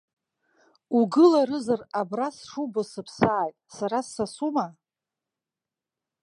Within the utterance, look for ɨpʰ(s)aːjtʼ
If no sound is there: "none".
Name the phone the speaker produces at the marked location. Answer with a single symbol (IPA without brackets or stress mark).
s